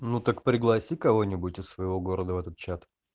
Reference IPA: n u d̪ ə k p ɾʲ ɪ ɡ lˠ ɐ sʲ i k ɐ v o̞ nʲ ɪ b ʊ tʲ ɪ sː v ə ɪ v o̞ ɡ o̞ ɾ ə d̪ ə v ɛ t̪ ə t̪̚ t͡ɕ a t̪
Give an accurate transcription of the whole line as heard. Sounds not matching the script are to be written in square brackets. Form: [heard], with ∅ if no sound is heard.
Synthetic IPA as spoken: n u [t̪] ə k p ɾʲ ɪ ɡ lˠ ɐ sʲ i k ɐ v o̞ nʲ ɪ b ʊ tʲ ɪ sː v ə ɪ v o̞ ɡ o̞ ɾ ə d̪ ə v ɛ t̪ ə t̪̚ t͡ɕ a t̪